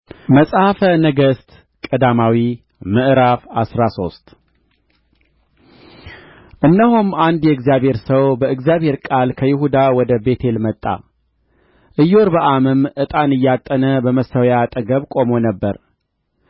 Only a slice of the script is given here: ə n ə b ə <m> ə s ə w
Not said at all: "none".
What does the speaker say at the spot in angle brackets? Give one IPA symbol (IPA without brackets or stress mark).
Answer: m